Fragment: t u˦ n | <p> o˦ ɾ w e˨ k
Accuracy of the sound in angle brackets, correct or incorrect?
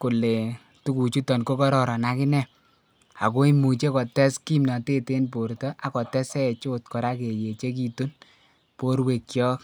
correct